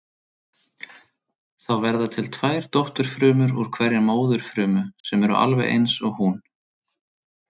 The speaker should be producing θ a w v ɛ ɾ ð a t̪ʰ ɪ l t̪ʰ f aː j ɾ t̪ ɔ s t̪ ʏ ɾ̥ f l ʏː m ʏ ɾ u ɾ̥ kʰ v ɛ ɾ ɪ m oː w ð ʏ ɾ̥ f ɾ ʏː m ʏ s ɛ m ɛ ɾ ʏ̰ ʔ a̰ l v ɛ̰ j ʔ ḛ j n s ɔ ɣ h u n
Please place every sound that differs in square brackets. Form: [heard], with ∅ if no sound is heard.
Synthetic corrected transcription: θ a w v ɛ ɾ ð a t̪ʰ ɪ l t̪ʰ [v] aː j ɾ t̪ ɔ [h] t̪ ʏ ɾ̥ f [ɾ] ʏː m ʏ ɾ u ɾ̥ kʰ v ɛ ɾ ɪ m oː w ð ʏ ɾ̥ f ɾ ʏː m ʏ s ɛ m ɛ ɾ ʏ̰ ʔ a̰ l v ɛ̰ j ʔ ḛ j n s ɔ ɣ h u n

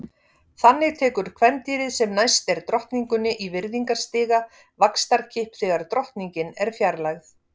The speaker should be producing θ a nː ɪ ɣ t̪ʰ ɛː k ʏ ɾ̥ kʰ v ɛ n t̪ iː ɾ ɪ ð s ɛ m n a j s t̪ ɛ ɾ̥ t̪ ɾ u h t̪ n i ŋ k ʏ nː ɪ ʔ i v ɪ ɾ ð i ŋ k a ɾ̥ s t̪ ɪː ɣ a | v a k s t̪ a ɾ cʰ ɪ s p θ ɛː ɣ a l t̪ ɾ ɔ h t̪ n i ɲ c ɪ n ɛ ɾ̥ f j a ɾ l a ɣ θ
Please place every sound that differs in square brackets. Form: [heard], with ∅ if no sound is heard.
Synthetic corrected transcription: θ a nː ɪ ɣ t̪ʰ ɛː k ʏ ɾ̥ kʰ v ɛ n t̪ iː ɾ ɪ ð s ɛ m n a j s t̪ ɛ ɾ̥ t̪ ɾ [ɔ] h t̪ n i ŋ k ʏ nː ɪ ʔ i v ɪ ɾ ð i ŋ k a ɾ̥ s t̪ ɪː ɣ a | v a k s t̪ a ɾ cʰ ɪ [h] p θ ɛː ɣ a [ɾ] t̪ ɾ ɔ h t̪ n i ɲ c ɪ n ɛ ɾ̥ f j a ɾ l a ɣ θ

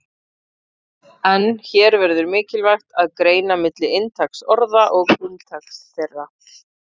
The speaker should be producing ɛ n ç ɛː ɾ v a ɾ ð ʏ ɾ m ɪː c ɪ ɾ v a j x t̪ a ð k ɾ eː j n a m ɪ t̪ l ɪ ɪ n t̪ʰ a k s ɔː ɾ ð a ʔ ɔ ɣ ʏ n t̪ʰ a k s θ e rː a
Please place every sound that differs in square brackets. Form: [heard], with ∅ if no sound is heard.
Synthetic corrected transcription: ɛ n ç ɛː ɾ v [ɛ] ɾ ð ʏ ɾ m ɪː c ɪ [l] v a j x t̪ a ð k ɾ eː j n a m ɪ t̪ l ɪ ɪ n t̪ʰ a k s [ɔ] ɾ ð a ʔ ɔ ɣ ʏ n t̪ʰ a k s θ e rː a

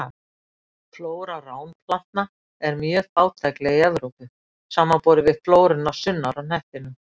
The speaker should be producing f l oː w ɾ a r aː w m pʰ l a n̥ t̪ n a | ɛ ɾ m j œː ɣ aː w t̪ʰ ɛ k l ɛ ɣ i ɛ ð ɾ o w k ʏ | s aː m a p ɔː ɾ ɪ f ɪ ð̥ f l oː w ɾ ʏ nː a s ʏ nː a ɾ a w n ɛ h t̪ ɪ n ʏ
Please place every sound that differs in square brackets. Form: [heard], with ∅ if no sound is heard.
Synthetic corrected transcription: f l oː w ɾ a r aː w [n] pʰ l a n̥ t̪ n a | ɛ ɾ m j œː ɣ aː w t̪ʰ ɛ k l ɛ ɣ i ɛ ð ɾ o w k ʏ | s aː m a p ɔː ɾ ɪ [v] ɪ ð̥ f l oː w ɾ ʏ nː a s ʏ nː a ɾ a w n ɛ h t̪ ɪ n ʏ

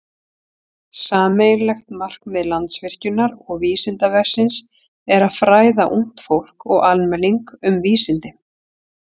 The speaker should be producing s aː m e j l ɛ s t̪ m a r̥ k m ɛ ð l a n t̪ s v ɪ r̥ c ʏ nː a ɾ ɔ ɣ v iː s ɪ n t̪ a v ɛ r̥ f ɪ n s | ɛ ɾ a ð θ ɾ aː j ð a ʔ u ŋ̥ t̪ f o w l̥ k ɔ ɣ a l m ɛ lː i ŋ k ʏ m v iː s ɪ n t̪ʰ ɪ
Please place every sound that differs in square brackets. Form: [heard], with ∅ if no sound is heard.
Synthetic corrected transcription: s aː m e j l ɛ [x] t̪ m a r̥ k m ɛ ð l a n t̪ s v ɪ r̥ c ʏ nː a ɾ ɔ ɣ v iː s ɪ n t̪ a v ɛ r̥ [s] ɪ n s | ɛ ɾ a ð [f] ɾ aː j ð a ʔ u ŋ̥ t̪ f o w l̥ k ɔ ɣ a l m ɛ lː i ŋ k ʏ m v iː s ɪ n [t̪] ɪ

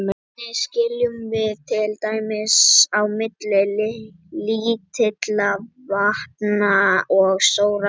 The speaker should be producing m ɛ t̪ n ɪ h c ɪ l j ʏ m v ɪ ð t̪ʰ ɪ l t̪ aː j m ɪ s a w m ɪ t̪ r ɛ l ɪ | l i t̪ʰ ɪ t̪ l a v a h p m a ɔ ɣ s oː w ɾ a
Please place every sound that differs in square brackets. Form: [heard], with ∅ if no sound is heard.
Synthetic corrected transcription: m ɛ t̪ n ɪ [s] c ɪ l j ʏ m v ɪ ð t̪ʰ ɪ l t̪ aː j m ɪ s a w m ɪ t̪ [l] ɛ l ɪ | l i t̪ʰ ɪ t̪ l a v a h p [n] a ɔ ɣ s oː w ɾ a

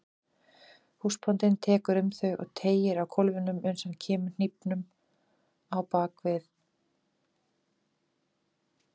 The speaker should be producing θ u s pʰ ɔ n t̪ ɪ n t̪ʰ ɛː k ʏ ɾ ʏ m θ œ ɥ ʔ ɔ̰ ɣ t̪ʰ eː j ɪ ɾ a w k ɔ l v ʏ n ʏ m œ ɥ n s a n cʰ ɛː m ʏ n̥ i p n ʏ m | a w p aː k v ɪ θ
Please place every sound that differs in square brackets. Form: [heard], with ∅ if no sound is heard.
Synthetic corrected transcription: [h] u s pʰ ɔ n t̪ ɪ n t̪ʰ ɛː k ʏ ɾ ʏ m θ œ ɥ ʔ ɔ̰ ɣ t̪ʰ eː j ɪ ɾ a w [kʰ] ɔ l v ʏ n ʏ m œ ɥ n s a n cʰ ɛː m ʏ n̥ i p n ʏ m | a w p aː k v ɪ θ

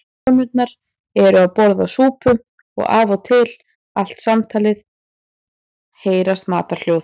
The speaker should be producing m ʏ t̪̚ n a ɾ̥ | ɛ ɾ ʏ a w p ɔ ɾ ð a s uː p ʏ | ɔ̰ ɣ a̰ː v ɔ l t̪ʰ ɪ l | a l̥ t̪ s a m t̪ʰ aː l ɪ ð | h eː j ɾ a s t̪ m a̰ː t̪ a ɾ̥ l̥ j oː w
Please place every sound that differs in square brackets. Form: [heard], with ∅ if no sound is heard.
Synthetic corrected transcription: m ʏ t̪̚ n a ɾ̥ | ɛ ɾ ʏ a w p ɔ ɾ ð a s uː p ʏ | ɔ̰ ɣ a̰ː v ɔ [∅] t̪ʰ ɪ l | a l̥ t̪ s a m t̪ʰ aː l ɪ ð | h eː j ɾ a s t̪ m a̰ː t̪ a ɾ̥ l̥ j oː w

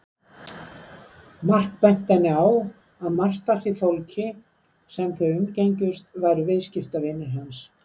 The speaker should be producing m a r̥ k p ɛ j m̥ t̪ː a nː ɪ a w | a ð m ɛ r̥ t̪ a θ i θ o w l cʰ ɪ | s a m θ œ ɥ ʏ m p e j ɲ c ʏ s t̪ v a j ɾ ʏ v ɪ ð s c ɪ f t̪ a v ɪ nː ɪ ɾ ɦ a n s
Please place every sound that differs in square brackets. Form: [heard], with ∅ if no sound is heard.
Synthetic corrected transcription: m a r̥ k p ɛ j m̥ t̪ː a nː ɪ a w | a ð m [a] r̥ t̪ a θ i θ o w l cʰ ɪ | s [ɛ] m θ œ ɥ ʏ m [c] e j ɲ c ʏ s t̪ v a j ɾ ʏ v ɪ ð s c ɪ f t̪ a v ɪ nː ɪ ɾ ɦ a n s

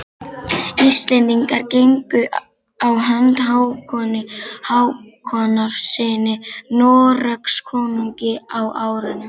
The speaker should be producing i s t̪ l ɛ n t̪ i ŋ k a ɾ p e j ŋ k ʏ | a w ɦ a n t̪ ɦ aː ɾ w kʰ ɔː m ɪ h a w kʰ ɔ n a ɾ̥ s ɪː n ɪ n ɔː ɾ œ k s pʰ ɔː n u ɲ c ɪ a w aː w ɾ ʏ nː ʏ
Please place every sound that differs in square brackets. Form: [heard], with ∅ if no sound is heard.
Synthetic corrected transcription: i s t̪ l ɛ n t̪ i ŋ k a ɾ [c] e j ŋ k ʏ | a w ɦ a n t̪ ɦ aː [∅] w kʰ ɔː [n] ɪ h a w kʰ ɔ n a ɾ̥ s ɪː n ɪ n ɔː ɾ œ k s [kʰ] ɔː n u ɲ c ɪ a w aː w ɾ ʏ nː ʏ

